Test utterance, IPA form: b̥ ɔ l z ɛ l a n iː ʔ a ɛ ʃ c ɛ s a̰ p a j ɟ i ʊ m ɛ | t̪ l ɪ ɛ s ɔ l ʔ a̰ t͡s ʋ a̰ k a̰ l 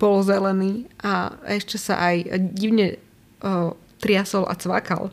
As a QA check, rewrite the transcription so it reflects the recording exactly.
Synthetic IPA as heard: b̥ ɔ l z ɛ l ɛ n iː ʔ a ɛ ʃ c ɛ s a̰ ʔ a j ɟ i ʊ ɲ ɛ | t̪ ɾ ɪ a s ɔ l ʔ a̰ t͡s ʋ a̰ k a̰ l